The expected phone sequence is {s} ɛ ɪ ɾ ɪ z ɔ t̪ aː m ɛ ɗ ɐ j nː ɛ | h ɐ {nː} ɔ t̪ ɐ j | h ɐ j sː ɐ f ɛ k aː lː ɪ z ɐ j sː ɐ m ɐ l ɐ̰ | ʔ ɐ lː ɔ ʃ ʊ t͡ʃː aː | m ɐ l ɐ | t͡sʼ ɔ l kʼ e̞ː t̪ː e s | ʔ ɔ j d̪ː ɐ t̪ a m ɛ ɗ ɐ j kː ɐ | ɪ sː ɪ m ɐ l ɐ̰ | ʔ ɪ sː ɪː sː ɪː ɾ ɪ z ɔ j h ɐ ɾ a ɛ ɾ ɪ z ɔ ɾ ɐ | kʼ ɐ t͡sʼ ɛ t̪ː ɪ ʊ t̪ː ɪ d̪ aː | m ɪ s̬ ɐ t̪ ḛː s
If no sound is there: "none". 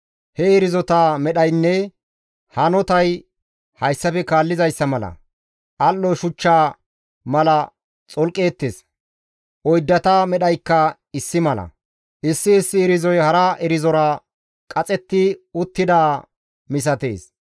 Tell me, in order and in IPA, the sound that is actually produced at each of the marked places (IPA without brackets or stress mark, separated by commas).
h, n